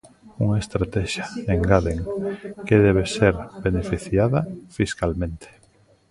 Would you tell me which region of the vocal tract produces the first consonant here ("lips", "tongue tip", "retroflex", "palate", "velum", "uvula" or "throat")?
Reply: velum